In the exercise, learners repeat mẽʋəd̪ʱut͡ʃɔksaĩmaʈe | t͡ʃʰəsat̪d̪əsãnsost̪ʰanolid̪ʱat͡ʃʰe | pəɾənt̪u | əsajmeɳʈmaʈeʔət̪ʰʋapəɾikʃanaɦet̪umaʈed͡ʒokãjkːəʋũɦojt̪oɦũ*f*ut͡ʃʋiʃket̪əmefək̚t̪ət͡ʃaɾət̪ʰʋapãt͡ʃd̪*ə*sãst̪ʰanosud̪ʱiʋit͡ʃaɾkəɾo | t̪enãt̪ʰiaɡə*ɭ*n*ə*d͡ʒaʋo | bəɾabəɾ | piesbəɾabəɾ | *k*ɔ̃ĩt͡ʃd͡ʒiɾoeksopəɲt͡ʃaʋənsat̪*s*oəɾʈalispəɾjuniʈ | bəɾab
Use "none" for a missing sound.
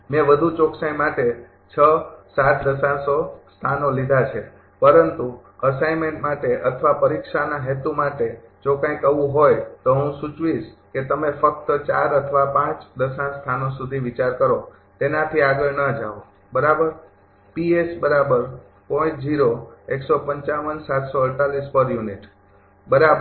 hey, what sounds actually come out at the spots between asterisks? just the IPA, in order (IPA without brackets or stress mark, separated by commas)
s, ə, ɭ, ə, p, s